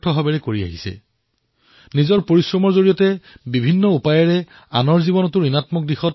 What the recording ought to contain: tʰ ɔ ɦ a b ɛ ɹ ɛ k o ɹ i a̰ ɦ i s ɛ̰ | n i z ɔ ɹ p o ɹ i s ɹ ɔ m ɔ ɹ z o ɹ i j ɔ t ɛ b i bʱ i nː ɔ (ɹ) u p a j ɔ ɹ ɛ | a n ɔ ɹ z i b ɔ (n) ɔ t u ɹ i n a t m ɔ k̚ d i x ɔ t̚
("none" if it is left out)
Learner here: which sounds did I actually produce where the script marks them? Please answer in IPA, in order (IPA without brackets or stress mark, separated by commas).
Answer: none, n